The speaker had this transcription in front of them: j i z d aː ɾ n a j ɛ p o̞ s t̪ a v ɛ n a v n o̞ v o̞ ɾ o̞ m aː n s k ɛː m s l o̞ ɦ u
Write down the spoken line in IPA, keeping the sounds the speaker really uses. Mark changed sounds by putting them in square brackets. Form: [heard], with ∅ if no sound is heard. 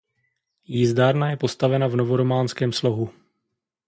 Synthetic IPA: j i z d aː ɾ n a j ɛ p o̞ s t̪ a v ɛ n a v n o̞ v o̞ ɾ o̞ m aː n s k ɛː m s l o̞ ɦ u